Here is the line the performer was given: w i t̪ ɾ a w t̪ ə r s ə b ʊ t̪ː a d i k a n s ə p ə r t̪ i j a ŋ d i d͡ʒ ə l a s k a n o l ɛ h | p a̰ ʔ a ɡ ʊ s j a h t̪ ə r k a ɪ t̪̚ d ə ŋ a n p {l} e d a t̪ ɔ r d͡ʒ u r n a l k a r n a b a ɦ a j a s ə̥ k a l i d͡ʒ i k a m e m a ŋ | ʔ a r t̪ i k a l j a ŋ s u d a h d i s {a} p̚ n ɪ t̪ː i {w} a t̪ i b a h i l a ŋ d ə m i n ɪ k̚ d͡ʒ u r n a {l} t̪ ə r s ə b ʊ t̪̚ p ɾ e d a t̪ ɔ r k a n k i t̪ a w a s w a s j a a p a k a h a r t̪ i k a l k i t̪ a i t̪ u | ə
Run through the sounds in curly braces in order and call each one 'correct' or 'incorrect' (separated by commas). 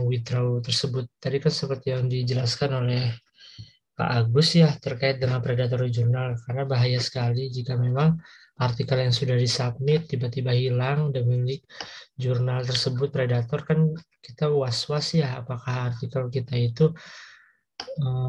incorrect, correct, incorrect, correct